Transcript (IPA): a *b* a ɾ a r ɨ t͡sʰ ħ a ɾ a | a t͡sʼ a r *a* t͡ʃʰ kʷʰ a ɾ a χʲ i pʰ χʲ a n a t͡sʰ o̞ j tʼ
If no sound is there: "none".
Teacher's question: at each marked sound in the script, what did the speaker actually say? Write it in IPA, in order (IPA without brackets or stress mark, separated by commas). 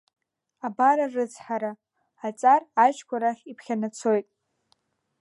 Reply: b, a